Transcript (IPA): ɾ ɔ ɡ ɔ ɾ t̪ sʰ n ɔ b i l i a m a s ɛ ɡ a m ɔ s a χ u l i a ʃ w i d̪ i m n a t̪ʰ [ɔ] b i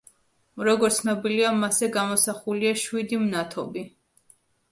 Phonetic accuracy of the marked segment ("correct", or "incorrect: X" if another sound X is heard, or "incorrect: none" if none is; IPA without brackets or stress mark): correct